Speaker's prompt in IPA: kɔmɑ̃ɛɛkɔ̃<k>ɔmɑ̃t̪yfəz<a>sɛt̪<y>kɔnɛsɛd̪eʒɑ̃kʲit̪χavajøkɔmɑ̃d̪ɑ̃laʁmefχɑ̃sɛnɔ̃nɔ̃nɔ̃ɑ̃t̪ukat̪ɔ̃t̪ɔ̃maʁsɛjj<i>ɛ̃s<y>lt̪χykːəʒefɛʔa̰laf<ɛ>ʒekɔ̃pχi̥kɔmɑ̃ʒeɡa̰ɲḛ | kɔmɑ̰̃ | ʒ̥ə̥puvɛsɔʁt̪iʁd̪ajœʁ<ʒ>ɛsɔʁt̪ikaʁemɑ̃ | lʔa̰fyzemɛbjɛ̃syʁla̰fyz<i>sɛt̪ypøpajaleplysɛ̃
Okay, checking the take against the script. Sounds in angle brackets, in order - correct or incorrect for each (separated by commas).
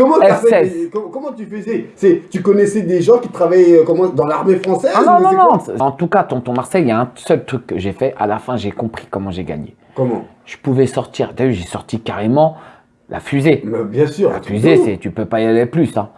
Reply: correct, incorrect, correct, incorrect, incorrect, incorrect, correct, incorrect